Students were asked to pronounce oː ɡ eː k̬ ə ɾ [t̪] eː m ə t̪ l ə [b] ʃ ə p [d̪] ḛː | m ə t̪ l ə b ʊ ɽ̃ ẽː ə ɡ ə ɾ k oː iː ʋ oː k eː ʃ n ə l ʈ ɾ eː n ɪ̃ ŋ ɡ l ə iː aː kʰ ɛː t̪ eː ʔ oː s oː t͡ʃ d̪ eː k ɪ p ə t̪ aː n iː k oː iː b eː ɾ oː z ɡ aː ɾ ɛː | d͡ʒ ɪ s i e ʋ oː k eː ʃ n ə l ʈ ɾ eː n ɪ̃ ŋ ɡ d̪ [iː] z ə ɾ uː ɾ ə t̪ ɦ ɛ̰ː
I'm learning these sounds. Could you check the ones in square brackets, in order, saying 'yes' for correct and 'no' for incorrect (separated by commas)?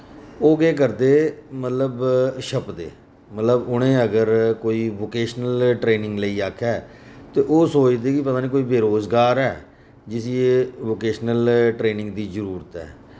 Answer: no, yes, yes, yes